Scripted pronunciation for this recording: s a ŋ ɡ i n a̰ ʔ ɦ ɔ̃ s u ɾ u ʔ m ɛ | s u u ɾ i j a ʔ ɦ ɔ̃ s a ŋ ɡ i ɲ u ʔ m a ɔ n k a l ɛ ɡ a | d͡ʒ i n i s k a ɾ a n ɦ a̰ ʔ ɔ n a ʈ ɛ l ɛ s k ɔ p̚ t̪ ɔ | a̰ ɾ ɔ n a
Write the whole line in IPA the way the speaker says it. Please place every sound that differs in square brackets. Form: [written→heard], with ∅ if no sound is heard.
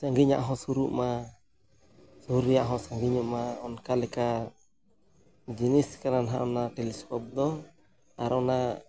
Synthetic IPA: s a ŋ ɡ i [n→ɲ] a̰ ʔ ɦ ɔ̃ s u ɾ u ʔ m [ɛ→a] | s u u ɾ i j a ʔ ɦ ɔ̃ s a ŋ ɡ i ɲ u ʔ m a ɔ n k a l ɛ [ɡ→k] a | d͡ʒ i n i s k a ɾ a n ɦ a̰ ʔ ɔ n a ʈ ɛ l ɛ s k ɔ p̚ [t̪→d̪] ɔ | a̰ ɾ ɔ n a